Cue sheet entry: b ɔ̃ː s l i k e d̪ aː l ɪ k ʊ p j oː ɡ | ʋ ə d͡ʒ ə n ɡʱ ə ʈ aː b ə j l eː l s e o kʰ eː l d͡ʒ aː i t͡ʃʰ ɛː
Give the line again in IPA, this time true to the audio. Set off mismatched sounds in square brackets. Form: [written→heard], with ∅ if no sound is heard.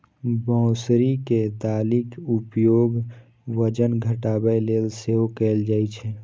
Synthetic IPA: b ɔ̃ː s [l→ɾ] i k e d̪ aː l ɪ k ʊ p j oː ɡ | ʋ ə d͡ʒ ə n ɡʱ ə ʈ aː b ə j l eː l s e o [kʰ→k] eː l d͡ʒ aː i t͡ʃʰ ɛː